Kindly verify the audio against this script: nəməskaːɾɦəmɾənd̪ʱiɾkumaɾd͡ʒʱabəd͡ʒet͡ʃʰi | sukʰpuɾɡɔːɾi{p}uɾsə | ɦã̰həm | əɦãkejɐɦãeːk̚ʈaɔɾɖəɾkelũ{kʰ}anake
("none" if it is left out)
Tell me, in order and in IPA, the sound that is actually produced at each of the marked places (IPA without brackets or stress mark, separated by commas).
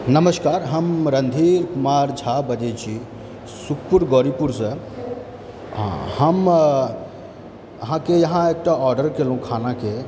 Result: p, kʰ